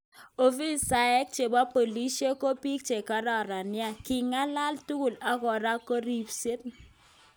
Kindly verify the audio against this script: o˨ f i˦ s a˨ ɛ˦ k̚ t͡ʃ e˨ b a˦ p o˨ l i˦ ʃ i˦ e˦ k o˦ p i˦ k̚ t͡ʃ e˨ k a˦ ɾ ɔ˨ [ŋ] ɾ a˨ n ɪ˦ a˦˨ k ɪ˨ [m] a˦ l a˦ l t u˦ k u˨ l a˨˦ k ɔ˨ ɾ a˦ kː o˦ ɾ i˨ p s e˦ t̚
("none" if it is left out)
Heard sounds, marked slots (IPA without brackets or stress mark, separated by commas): none, ŋ